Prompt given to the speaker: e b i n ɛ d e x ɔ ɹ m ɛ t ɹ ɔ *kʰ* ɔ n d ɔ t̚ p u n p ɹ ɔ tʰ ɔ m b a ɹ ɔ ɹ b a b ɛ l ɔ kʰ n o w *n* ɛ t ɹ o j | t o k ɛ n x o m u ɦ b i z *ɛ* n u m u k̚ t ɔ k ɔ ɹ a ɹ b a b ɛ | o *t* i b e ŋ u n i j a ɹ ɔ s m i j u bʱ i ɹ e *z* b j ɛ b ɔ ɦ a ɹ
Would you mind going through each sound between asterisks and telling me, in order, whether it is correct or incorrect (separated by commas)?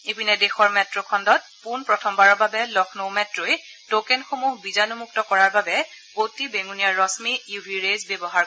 correct, incorrect, incorrect, correct, correct